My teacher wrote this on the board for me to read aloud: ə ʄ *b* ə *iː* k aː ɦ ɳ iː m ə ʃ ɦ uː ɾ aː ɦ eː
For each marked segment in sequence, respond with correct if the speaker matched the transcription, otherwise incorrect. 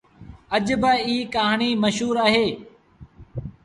correct, correct

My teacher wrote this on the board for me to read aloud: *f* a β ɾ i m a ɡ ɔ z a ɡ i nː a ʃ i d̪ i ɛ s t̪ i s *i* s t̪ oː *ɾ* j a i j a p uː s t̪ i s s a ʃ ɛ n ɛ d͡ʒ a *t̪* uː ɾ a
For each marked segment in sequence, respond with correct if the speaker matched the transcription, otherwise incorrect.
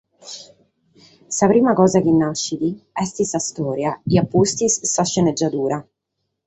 incorrect: s, incorrect: a, correct, incorrect: d̪

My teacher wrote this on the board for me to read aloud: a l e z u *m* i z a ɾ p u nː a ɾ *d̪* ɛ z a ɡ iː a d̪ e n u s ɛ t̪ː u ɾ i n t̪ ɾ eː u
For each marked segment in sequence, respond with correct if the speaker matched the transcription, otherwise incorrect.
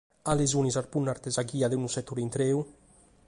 incorrect: n, incorrect: t̪

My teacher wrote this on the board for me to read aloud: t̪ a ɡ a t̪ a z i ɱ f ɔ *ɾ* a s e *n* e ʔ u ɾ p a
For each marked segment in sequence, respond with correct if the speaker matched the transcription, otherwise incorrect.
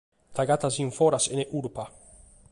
correct, correct

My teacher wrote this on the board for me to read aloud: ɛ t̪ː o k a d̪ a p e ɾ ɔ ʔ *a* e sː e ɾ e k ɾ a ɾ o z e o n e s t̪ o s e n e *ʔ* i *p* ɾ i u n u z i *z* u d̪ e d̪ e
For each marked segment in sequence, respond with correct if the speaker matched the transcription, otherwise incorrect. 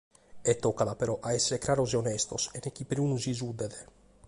correct, incorrect: k, correct, correct

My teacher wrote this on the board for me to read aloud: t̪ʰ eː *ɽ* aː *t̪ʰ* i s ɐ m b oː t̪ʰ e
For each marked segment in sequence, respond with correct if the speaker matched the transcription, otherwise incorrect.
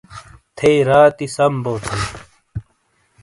incorrect: ɾ, incorrect: t̪

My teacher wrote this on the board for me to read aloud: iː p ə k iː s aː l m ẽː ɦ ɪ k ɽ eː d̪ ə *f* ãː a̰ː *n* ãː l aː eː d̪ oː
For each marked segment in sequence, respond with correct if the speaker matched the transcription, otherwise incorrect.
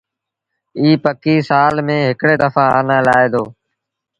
correct, correct

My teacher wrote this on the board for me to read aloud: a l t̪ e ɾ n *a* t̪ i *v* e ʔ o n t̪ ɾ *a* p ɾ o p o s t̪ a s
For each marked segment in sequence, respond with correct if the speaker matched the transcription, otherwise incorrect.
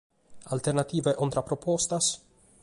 correct, correct, correct

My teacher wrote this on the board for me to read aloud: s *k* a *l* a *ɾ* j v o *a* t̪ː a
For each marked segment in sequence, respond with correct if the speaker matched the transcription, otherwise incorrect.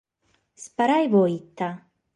incorrect: p, incorrect: ɾ, incorrect: none, incorrect: i

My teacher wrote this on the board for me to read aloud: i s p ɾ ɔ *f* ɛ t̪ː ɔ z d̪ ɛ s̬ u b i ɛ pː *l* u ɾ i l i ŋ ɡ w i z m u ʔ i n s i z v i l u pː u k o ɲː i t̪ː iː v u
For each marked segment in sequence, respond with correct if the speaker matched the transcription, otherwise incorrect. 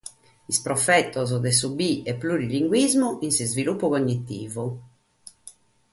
correct, correct

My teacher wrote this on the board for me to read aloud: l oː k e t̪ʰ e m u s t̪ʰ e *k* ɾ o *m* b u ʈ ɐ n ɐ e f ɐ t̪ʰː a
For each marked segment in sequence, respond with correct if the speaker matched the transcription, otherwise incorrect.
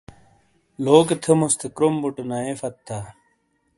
correct, correct

